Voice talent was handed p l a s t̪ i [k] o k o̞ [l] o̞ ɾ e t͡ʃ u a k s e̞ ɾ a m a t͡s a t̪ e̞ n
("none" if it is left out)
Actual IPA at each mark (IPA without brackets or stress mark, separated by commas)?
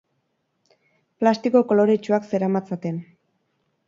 k, l